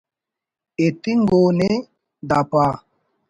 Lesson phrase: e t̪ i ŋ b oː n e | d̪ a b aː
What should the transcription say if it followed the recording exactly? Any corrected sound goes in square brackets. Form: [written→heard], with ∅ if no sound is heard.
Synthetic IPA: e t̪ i ŋ [b→ɡ] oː n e | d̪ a [b→p] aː